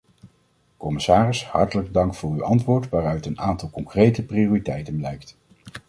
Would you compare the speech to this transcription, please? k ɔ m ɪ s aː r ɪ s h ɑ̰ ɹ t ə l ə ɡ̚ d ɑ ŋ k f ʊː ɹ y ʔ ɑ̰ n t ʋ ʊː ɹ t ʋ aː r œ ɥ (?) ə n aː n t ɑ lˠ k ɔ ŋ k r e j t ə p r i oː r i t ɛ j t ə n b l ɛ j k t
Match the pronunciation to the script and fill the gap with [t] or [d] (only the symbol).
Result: t